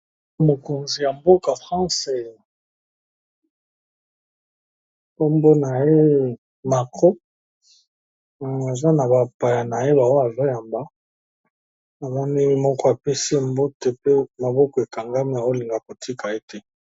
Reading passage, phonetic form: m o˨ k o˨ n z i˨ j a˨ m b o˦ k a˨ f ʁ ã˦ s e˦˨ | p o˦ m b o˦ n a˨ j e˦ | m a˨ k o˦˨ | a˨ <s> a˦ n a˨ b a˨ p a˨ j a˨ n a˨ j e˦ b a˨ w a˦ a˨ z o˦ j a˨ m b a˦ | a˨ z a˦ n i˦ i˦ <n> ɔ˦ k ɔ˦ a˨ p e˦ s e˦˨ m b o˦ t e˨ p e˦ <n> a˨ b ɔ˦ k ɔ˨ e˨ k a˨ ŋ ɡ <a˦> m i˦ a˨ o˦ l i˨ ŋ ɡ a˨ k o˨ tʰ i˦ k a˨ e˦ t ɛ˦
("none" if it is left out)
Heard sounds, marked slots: z, m, m, a˦

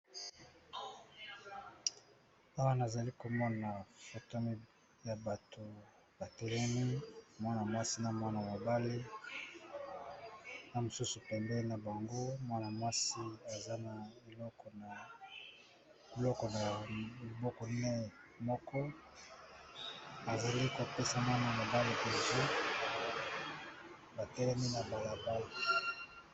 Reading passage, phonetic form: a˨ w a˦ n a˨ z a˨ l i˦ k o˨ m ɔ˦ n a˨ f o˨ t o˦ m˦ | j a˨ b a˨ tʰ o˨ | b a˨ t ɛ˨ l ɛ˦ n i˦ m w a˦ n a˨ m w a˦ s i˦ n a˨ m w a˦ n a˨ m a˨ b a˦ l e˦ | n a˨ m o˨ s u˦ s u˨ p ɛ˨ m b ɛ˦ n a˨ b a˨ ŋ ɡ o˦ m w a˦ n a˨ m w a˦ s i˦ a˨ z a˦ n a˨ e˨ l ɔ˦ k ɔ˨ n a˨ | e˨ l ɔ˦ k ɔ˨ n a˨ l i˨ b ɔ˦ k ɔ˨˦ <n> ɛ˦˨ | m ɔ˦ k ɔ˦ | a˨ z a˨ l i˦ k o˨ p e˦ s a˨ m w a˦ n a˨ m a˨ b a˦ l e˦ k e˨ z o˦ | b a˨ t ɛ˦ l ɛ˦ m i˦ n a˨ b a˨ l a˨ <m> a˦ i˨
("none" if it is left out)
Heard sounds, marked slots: n, b

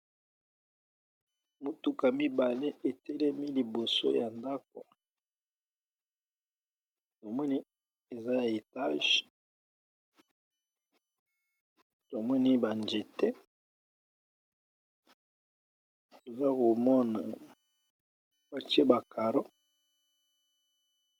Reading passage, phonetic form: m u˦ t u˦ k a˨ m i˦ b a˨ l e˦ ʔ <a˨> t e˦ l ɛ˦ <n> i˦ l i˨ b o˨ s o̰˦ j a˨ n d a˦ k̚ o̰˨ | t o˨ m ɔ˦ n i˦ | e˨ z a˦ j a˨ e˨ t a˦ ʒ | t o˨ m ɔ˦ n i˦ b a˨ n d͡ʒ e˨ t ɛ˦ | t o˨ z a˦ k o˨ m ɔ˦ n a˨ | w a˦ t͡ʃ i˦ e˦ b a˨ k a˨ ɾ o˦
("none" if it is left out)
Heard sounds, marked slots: e˨, m

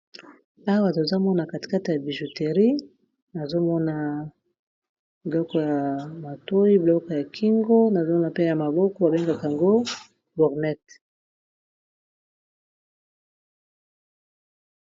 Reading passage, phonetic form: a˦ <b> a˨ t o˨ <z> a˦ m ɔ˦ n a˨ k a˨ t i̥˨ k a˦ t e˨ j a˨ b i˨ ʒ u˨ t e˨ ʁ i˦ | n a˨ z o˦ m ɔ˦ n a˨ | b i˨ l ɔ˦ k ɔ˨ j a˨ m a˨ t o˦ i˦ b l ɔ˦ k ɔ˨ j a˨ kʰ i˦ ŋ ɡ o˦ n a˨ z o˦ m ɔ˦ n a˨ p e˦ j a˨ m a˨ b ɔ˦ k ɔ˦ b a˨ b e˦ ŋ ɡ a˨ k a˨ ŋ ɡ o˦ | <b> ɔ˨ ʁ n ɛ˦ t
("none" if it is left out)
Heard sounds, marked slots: w, z, b

